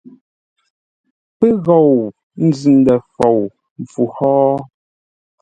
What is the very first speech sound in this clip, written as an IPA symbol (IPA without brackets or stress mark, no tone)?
p